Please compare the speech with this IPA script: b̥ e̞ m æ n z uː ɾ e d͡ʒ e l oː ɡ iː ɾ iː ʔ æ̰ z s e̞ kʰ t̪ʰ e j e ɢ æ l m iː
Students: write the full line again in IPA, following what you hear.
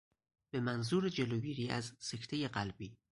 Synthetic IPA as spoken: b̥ e̞ m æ n z uː ɾ e d͡ʒ e l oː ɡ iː ɾ iː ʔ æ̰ z s e̞ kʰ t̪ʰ e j e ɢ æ l b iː